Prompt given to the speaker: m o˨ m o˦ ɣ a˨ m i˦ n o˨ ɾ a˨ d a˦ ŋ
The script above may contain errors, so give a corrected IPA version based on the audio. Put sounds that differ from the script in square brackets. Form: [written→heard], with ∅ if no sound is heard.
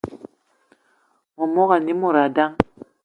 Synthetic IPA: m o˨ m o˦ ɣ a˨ [m→n] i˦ [n→m] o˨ ɾ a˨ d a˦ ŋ